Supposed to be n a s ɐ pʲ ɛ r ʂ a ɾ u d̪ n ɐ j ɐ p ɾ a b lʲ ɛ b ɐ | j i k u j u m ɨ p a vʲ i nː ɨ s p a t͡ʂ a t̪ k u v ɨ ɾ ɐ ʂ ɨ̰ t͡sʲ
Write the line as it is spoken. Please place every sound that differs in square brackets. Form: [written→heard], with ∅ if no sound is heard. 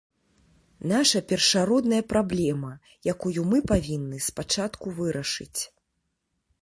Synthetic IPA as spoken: n a [s→ʂ] ɐ pʲ ɛ r ʂ a ɾ [u→ɔ] d̪ n ɐ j ɐ p ɾ a b lʲ ɛ [b→m] ɐ | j [i→a] k u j u m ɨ p a vʲ i nː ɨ s p a t͡ʂ a t̪ k u v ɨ ɾ ɐ ʂ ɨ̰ t͡sʲ